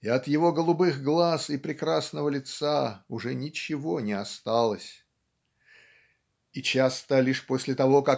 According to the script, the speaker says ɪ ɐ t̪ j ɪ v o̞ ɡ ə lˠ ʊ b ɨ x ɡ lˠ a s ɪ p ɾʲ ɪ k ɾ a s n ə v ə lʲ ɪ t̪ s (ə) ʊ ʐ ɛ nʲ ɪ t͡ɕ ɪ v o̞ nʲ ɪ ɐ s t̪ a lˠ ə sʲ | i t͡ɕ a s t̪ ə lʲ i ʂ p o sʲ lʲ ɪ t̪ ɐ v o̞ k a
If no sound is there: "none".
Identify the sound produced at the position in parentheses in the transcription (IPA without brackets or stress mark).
a